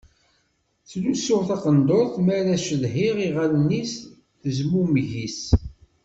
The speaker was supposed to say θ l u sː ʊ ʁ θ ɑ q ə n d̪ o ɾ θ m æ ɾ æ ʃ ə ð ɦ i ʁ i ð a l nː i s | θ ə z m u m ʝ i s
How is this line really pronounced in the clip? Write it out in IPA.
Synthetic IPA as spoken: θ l u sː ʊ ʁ θ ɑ q ə n d̪ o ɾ θ m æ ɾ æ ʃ ə ð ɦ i ʁ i ʁ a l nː i s | θ ə z m u m ʝ i s

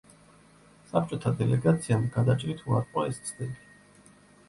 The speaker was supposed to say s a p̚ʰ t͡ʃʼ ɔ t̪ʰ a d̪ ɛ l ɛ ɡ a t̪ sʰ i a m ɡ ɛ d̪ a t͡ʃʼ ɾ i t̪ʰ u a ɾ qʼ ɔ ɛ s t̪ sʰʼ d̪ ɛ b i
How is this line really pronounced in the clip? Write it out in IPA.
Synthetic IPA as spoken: s a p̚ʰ t͡ʃʼ ɔ t̪ʰ a d̪ ɛ l ɛ ɡ a t̪ sʰ i a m ɡ a d̪ a t͡ʃʼ ɾ i t̪ʰ u a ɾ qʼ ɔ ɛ s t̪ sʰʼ d̪ ɛ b i

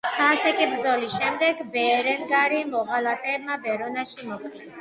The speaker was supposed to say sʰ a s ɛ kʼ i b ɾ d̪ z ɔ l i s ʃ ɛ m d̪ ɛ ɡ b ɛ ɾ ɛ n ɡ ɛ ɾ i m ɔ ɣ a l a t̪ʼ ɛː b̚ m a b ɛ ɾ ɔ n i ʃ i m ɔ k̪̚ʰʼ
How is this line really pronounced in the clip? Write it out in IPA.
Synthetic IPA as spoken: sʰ a s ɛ kʼ i b ɾ d̪ z ɔ l i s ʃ ɛ m d̪ ɛ ɡ b ɛ ɾ ɛ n ɡ a ɾ i m ɔ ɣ a l a t̪ʼ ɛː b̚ m a b ɛ ɾ ɔ n a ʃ i m ɔ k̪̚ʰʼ

